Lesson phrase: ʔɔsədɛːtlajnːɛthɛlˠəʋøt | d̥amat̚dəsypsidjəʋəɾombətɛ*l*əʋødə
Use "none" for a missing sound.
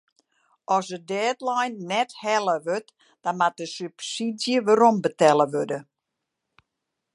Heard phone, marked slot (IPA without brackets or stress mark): l